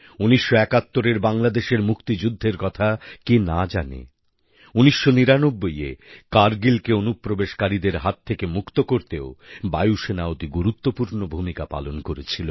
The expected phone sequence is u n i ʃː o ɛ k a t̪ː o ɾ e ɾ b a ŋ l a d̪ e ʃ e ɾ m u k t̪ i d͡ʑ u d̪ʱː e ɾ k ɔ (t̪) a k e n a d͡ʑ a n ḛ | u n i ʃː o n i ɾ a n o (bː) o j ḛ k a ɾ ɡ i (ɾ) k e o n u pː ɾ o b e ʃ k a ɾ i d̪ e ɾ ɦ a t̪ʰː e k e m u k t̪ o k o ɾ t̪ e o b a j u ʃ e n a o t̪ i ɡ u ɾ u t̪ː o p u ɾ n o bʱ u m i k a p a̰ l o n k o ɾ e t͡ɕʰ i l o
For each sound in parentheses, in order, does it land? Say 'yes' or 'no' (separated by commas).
no, yes, no